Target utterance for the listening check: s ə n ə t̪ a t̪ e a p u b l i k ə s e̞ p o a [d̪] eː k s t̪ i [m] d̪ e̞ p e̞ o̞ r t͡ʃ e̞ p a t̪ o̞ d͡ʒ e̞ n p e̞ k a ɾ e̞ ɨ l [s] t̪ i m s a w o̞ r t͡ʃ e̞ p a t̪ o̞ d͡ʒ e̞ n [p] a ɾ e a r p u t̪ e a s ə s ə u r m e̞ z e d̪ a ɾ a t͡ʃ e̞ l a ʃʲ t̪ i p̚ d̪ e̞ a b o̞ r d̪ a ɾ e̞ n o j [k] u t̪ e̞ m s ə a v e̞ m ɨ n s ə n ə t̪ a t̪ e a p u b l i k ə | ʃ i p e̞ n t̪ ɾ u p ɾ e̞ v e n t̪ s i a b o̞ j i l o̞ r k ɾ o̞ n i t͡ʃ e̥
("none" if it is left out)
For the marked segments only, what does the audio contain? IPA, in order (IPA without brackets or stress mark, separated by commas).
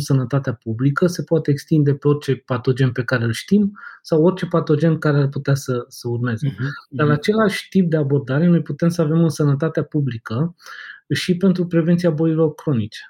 t̪, n, ʃ, k, p